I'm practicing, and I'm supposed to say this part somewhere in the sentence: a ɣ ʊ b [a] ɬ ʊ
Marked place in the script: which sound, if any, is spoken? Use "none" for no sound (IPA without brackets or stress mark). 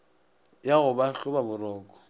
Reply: a